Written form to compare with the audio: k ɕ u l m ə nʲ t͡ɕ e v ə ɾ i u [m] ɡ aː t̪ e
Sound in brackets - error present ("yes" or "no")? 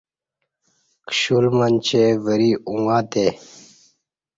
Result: yes